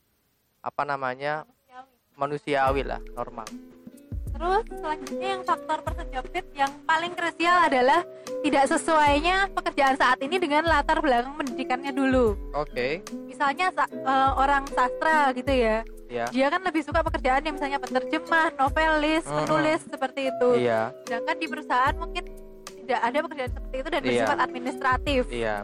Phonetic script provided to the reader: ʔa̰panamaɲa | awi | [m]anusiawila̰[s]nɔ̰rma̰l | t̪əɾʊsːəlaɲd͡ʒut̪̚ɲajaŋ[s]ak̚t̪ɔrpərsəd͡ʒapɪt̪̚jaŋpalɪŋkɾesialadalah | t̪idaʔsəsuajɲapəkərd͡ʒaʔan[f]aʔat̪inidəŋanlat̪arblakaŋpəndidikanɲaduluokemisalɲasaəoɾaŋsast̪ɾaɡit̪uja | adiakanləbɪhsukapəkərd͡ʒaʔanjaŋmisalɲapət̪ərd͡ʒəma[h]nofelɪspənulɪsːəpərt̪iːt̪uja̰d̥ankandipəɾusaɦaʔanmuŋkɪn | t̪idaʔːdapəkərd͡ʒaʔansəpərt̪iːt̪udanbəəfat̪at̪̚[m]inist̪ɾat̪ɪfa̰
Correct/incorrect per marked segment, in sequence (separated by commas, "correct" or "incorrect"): correct, incorrect, incorrect, incorrect, correct, correct